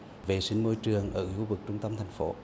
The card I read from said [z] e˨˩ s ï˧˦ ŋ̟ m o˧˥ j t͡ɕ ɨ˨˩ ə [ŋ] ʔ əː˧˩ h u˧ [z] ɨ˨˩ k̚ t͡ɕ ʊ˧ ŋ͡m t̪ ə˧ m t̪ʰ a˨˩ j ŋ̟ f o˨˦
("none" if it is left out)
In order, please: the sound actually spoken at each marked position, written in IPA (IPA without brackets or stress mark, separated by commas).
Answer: v, ŋ, v